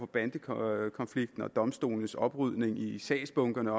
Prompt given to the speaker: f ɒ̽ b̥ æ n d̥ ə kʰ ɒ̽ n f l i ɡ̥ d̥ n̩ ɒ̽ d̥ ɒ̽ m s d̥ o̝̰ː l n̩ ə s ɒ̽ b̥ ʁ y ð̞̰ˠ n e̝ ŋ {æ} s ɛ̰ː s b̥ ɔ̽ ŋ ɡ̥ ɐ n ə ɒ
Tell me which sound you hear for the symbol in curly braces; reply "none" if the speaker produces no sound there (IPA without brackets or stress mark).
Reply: i